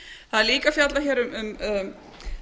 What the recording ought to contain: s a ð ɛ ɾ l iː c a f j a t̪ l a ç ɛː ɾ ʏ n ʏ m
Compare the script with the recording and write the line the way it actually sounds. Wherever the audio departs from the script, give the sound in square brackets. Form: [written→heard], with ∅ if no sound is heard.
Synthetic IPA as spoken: [s→θ] a ð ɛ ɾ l iː [c→k] a f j a t̪ l a ç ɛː ɾ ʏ [n→m] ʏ m